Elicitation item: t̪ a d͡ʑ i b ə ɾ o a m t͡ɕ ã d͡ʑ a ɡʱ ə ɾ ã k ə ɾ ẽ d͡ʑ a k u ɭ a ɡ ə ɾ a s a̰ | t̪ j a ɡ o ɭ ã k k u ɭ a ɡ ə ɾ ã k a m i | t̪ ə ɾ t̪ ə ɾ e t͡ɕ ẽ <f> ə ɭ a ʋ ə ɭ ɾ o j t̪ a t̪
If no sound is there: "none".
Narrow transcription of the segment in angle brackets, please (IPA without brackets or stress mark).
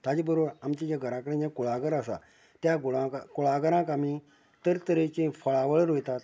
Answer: f